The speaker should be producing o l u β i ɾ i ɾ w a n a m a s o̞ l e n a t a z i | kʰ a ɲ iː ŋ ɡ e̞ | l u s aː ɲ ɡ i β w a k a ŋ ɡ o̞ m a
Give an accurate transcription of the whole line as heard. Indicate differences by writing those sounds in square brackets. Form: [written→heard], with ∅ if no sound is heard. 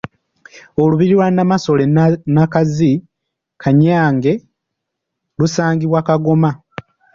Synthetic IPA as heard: o l u β i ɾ i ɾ w a n a m a s o̞ l e n a [t→k] a z i | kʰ a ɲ [iː→aː] ŋ ɡ e̞ | l u s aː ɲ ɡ i β w a k a [ŋ→∅] ɡ o̞ m a